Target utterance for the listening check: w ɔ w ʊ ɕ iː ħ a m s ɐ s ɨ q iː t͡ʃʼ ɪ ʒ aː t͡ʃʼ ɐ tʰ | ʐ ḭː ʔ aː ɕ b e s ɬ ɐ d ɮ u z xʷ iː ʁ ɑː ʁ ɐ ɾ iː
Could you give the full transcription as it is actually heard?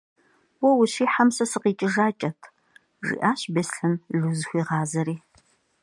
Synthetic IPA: w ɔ w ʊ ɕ iː ħ a m s ɐ s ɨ q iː t͡ʃʼ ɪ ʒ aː t͡ʃʼ ɐ tʰ | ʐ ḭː ʔ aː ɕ b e s ɬ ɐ n ɮ u z xʷ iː ʁ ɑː z ɐ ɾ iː

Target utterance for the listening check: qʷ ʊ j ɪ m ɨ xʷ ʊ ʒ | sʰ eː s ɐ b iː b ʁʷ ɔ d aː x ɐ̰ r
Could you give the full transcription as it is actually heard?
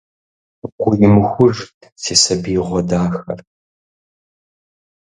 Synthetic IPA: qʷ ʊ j ɪ m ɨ xʷ ʊ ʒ | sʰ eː s ɐ b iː ʁʷ ɔ d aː x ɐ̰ r

